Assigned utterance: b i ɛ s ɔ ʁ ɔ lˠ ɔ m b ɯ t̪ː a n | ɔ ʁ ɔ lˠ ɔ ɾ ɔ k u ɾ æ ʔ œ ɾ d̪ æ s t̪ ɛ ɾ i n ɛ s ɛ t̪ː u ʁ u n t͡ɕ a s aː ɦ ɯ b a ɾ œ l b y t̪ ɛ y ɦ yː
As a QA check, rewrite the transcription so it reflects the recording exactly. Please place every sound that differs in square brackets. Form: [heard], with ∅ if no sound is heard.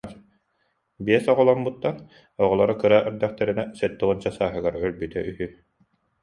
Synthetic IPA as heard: b i ɛ s ɔ ʁ ɔ lˠ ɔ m b [u] t̪ː a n | ɔ ʁ ɔ lˠ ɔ ɾ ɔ k [ɯ] ɾ [a] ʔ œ ɾ d̪ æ [χ] t̪ ɛ ɾ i n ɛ s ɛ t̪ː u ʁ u n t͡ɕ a s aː ɦ ɯ [ɡ] a ɾ œ l b y t̪ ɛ y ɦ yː

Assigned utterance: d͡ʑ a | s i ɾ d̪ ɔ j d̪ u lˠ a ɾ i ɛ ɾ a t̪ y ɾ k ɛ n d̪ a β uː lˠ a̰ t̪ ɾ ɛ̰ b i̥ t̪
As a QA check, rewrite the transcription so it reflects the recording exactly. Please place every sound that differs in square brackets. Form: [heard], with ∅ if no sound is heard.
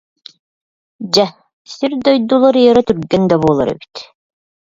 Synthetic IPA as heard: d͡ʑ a | s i ɾ d̪ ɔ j d̪ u lˠ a ɾ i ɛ ɾ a t̪ y ɾ [ɡ] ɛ n d̪ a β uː lˠ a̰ [∅] ɾ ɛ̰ b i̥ t̪

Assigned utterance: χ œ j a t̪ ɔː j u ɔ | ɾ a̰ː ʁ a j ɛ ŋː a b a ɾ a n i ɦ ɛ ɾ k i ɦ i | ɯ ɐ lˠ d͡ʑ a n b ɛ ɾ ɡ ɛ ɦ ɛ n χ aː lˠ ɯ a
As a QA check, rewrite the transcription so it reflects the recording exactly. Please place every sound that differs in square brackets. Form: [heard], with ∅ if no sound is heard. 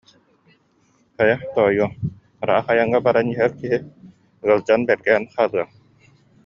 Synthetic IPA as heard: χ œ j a t̪ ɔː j u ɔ | ɾ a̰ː [χ] a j [a] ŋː a b a ɾ a n i ɦ ɛ ɾ k i ɦ i | ɯ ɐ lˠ d͡ʑ a n b ɛ ɾ ɡ ɛ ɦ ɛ n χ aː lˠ ɯ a

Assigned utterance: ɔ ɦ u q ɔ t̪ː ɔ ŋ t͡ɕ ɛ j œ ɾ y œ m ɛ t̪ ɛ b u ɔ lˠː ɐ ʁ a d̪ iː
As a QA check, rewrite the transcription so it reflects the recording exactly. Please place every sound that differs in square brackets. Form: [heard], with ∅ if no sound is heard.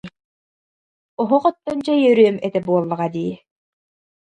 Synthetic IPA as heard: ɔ ɦ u q ɔ t̪ː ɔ [n] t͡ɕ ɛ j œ ɾ y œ m ɛ t̪ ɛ b u ɔ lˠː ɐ ʁ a d̪ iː

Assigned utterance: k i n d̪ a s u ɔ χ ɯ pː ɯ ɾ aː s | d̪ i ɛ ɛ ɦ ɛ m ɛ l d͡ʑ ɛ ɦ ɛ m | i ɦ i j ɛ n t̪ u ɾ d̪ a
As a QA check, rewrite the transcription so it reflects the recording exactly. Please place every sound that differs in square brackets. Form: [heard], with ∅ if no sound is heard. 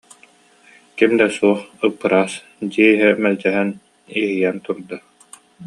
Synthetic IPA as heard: k i [m] d̪ [ɛ] s u ɔ χ ɯ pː ɯ ɾ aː s | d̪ i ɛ [i] ɦ ɛ m ɛ l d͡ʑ ɛ ɦ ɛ [n] | i ɦ i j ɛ n t̪ u ɾ d̪ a

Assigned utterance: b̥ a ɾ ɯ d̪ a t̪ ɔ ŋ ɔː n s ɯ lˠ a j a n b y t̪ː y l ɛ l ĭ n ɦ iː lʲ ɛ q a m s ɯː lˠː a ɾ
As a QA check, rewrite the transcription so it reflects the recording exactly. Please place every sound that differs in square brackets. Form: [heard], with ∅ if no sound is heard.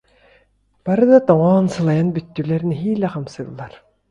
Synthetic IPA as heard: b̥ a ɾ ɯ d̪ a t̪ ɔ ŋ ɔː n s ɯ lˠ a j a n b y t̪ː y l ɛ [ɾ] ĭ n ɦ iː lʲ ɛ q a m s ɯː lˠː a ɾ

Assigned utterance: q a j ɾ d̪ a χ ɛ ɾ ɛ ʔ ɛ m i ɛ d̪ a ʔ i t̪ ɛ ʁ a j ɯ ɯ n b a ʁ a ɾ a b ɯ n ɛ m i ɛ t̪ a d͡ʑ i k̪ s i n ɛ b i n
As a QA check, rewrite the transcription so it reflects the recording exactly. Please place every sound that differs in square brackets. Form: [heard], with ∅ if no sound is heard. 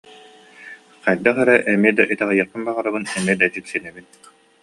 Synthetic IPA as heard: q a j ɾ d̪ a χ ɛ ɾ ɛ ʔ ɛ m i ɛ d̪ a ʔ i t̪ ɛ ʁ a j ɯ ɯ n b a ʁ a ɾ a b ɯ n ɛ m i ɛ [d̪] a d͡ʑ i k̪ s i n ɛ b i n

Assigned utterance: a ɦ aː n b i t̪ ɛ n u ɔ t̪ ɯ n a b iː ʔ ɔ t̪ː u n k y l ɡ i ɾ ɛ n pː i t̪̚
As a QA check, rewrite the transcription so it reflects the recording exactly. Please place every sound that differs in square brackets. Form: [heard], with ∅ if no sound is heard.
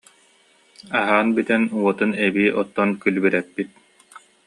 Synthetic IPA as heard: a ɦ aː n b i t̪ ɛ n u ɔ t̪ ɯ n [ɛ] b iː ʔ ɔ t̪ː [ɔ] n k y l [b] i ɾ ɛ [∅] pː i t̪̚

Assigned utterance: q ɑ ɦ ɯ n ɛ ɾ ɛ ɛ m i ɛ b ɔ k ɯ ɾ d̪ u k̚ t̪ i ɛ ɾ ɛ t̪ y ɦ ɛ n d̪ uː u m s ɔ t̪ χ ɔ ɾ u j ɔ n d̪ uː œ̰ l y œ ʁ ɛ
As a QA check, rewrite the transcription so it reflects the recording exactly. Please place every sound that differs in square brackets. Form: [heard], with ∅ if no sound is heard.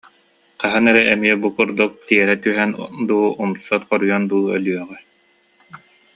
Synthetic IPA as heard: q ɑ ɦ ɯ n ɛ ɾ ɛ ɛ m i ɛ b [u] k [u] ɾ d̪ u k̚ t̪ i ɛ ɾ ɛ t̪ y ɦ ɛ n d̪ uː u m s ɔ t̪ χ ɔ ɾ u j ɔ n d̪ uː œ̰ l y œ ʁ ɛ

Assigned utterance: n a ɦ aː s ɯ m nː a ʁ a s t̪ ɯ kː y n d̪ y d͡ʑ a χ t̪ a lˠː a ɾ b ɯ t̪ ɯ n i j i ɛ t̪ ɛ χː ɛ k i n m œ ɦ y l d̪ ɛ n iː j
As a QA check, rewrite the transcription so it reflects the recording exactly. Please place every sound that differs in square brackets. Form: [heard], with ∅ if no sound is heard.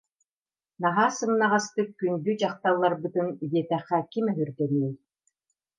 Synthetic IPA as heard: n a ɦ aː s ɯ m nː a ʁ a s t̪ ɯ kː y n d̪ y d͡ʑ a χ t̪ a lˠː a ɾ b ɯ t̪ ɯ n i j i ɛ t̪ ɛ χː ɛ k i [∅] m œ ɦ y [ɾ] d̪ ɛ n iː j

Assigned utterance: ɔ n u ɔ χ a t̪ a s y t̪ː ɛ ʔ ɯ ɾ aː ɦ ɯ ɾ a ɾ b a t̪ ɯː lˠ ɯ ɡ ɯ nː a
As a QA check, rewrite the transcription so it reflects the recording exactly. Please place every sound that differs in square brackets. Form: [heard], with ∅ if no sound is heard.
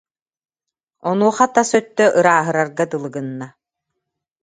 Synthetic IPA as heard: ɔ n u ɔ χ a t̪ a s [œ] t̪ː [œ] ʔ ɯ ɾ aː ɦ ɯ ɾ a ɾ [ɡ] a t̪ [ɯ] lˠ ɯ ɡ ɯ nː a

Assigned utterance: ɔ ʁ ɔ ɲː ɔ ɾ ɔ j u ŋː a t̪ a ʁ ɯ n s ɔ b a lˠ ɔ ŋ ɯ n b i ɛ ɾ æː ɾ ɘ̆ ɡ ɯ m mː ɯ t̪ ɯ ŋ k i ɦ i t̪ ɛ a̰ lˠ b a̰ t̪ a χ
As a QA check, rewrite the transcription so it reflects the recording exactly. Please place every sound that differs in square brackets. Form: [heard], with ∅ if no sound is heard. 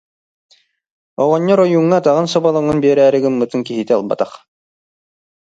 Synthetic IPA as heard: ɔ ʁ ɔ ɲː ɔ ɾ ɔ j u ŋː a t̪ a ʁ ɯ n s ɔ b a lˠ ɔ ŋ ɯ n b i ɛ ɾ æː ɾ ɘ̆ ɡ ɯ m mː ɯ t̪ ɯ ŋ k i ɦ i t̪ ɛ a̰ lˠ b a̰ t̪ a χ

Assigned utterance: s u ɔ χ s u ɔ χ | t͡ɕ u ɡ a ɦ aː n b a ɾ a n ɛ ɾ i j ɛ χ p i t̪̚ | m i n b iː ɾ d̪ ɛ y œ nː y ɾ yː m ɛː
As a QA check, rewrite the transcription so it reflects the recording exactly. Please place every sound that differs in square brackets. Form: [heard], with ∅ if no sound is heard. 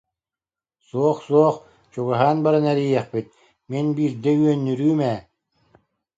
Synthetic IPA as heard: s u ɔ χ s u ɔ χ | t͡ɕ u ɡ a ɦ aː n b a ɾ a n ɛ ɾ i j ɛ χ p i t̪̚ | m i n b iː ɾ d̪ ɛ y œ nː y ɾ yː m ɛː

